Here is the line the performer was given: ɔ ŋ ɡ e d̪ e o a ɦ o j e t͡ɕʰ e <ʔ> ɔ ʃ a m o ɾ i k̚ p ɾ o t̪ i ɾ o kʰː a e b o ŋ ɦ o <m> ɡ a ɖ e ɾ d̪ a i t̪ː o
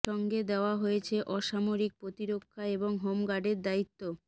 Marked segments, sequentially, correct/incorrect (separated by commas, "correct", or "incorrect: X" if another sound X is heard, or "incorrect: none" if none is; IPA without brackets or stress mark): correct, correct